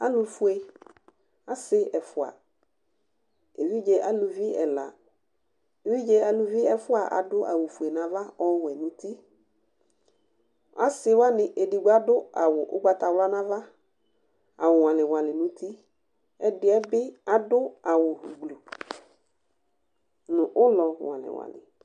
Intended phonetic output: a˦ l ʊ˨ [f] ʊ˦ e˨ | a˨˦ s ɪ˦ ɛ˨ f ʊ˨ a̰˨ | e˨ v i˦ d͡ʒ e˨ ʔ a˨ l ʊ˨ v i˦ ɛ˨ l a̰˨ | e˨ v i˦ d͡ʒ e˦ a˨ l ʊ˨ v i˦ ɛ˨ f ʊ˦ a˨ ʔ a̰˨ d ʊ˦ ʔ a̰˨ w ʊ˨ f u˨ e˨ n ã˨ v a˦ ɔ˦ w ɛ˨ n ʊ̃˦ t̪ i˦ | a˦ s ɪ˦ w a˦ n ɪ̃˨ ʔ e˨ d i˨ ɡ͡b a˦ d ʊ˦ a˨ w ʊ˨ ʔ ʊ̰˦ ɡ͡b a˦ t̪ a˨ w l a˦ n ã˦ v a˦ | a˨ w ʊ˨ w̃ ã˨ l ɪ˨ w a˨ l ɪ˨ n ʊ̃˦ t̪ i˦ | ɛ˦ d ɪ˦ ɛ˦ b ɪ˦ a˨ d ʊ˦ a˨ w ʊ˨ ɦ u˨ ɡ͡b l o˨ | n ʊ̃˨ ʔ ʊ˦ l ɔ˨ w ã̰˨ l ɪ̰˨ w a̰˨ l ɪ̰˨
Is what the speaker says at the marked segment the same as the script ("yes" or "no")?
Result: yes